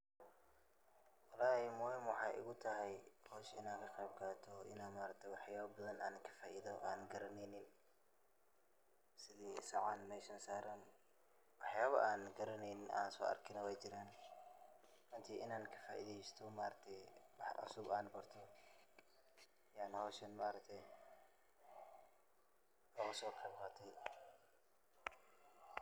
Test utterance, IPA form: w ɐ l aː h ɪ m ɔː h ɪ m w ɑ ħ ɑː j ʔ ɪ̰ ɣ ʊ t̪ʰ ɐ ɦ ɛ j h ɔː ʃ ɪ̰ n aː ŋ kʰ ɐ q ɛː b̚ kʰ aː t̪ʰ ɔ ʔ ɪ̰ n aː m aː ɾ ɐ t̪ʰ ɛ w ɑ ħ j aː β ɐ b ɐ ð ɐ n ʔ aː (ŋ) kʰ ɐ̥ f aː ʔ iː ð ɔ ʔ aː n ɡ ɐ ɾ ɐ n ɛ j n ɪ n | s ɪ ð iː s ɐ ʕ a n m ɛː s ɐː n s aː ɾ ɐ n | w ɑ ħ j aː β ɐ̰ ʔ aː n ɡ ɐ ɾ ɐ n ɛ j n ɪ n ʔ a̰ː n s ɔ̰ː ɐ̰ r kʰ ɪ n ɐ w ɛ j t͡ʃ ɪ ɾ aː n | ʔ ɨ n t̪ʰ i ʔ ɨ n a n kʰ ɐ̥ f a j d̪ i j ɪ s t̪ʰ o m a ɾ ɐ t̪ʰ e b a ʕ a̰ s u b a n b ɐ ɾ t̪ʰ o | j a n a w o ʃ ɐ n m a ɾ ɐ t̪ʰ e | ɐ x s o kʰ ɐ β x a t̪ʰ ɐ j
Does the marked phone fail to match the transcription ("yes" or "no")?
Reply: yes